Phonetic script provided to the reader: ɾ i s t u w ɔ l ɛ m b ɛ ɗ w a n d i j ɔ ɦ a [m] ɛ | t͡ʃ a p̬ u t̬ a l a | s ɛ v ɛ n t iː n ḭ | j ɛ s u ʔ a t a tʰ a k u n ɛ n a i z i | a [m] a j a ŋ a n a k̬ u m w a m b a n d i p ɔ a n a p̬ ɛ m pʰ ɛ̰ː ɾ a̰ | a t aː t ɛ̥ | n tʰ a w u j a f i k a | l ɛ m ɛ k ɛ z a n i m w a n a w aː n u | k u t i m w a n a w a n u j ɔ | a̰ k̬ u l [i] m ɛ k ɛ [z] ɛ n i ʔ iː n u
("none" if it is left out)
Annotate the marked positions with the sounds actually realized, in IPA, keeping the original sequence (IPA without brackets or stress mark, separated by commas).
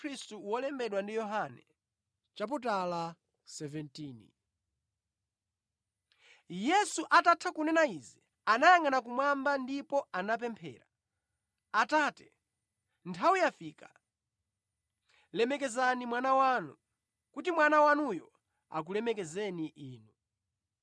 n, n, ɛ, z